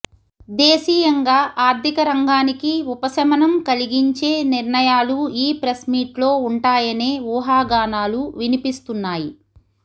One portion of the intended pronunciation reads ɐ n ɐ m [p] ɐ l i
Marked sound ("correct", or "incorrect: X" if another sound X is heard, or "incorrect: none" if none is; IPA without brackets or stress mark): incorrect: k